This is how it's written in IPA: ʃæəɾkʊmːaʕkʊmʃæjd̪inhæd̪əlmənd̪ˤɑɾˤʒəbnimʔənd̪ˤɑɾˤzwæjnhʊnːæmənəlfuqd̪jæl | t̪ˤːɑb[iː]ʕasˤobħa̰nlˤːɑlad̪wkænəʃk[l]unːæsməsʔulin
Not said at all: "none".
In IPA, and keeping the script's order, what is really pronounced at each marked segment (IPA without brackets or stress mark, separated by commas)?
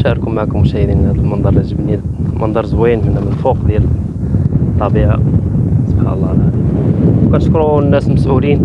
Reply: i, ɾ